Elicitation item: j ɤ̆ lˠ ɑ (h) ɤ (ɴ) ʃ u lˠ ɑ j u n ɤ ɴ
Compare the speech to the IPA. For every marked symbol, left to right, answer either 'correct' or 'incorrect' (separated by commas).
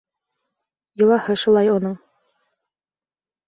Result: correct, incorrect